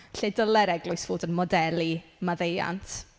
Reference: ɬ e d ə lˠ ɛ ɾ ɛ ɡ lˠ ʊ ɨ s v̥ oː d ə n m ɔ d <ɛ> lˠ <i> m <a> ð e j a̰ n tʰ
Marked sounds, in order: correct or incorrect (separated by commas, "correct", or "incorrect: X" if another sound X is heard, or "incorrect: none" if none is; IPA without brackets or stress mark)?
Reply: correct, correct, correct